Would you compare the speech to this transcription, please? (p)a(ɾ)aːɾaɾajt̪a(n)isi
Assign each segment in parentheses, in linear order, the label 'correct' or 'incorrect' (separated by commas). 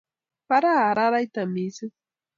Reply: correct, correct, incorrect